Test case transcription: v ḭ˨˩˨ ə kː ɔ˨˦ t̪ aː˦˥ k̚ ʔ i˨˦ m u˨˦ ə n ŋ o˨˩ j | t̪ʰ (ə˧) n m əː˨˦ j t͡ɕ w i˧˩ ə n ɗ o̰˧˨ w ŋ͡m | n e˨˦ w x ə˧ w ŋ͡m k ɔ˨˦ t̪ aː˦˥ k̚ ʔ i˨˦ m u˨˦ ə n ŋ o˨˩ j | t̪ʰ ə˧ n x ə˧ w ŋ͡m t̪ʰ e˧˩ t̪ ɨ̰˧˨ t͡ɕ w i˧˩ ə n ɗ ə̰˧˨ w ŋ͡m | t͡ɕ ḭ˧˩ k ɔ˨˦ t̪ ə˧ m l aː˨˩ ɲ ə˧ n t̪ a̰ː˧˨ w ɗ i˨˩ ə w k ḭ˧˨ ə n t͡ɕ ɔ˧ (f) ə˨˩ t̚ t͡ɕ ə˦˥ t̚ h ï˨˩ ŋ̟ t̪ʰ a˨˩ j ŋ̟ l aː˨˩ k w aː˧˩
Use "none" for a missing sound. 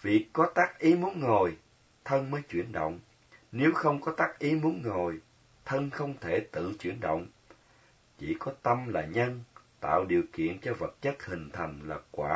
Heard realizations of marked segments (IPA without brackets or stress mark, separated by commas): ə˧, v